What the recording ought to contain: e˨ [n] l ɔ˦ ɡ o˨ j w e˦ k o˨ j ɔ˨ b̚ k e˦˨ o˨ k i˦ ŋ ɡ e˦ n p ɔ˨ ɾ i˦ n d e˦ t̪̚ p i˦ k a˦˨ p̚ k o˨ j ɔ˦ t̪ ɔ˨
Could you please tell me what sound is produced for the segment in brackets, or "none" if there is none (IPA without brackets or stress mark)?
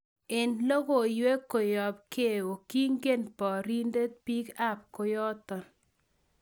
n